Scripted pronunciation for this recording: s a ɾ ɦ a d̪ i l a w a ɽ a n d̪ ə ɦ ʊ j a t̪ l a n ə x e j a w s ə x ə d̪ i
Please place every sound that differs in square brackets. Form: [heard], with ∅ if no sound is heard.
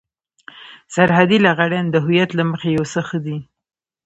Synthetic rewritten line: s a ɾ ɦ a d̪ i l a [ɣ] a ɽ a n d̪ ə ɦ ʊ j a t̪ l a [m] ə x e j a w s ə x ə d̪ i